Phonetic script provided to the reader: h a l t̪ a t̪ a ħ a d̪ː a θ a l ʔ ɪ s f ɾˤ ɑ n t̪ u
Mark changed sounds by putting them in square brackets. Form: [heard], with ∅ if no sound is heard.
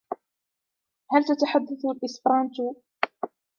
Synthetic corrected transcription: h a l t̪ a t̪ a ħ a d̪ː a θ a l ʔ ɪ s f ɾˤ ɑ n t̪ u

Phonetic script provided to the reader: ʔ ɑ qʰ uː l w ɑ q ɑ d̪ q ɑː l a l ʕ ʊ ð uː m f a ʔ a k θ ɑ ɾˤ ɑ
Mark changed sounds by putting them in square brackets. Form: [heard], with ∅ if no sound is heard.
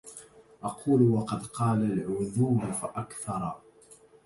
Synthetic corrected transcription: ʔ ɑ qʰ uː l w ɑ q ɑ d̪ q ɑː l a l ʕ ʊ ð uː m f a ʔ a k θ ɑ ɾˤ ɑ

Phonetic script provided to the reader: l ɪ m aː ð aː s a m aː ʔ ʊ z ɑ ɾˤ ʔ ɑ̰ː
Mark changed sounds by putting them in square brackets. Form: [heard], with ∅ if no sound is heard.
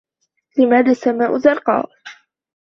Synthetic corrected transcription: l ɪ m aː ð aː s a m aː ʔ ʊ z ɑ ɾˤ [q] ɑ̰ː

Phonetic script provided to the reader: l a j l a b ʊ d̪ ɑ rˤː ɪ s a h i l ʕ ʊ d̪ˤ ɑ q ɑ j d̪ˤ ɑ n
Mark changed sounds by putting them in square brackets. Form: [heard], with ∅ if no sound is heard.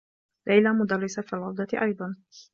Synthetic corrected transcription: l a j l a [m] ʊ d̪ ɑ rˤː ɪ s a [f] i l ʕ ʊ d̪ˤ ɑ [ʔ] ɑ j d̪ˤ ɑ n

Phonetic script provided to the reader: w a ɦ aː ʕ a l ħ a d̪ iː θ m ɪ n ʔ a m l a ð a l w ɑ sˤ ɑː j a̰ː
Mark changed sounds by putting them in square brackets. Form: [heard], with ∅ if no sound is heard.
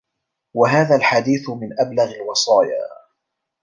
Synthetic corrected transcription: w a ɦ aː [ð] a l ħ a d̪ iː θ m ɪ n ʔ a [b] l a [ɣ] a l w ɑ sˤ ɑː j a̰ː

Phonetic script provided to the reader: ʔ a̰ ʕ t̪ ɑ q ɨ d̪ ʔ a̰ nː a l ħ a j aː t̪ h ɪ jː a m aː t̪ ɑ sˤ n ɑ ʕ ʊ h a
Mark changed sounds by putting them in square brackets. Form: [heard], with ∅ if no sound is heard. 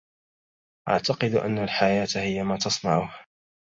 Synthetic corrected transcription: ʔ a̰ ʕ t̪ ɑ q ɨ d̪ ʔ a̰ nː a l ħ a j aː t̪ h ɪ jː a m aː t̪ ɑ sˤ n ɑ ʕ ʊ h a

